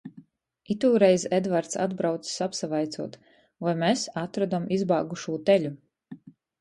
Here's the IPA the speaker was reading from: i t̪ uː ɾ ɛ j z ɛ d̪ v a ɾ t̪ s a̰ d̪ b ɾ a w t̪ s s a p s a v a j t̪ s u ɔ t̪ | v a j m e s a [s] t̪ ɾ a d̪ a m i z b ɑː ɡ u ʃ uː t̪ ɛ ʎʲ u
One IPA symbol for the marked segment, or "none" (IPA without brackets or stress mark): none